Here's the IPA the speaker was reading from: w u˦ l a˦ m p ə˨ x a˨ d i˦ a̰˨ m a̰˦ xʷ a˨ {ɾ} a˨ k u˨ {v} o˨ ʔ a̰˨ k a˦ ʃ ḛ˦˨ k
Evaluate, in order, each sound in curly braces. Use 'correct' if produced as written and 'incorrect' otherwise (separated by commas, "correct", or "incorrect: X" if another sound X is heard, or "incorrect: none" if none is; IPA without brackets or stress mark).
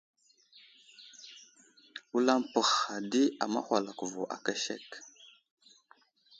incorrect: l, correct